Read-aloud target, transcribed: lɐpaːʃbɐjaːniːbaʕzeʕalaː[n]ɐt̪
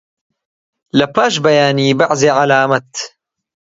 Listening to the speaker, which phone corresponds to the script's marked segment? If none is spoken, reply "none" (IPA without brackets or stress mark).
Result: m